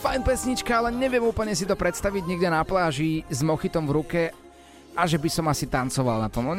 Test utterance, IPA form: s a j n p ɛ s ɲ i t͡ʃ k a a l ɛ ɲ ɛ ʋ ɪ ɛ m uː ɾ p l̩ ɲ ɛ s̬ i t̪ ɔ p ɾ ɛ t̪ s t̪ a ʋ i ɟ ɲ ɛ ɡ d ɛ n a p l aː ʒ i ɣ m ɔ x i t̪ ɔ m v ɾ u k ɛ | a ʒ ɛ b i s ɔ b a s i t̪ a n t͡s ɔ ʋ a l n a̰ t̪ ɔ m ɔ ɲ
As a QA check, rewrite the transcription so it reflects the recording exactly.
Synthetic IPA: f a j n p ɛ s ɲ i t͡ʃ k a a l ɛ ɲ ɛ ʋ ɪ ɛ m uː p l̩ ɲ ɛ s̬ i t̪ ɔ p ɾ ɛ t̪ s t̪ a ʋ i ɟ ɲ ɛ ɡ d ɛ n a p l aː ʒ i z m ɔ x i t̪ ɔ m v ɾ u k ɛ | a ʒ ɛ b i s ɔ m a s i t̪ a n t͡s ɔ ʋ a l n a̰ t̪ ɔ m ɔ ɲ